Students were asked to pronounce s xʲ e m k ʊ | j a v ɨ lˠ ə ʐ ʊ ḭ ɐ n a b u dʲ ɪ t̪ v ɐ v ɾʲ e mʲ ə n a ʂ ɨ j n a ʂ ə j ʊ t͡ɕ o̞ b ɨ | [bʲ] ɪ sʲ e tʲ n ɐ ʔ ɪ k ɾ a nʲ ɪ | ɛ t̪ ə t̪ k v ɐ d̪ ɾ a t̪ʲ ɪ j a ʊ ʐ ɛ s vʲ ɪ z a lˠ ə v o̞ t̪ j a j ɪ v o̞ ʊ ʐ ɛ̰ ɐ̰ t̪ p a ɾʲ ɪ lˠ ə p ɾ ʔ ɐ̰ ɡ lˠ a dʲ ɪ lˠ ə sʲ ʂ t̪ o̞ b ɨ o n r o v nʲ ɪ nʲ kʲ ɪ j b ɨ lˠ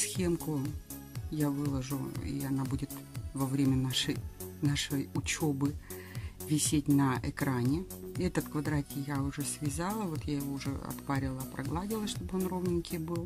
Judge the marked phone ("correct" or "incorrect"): incorrect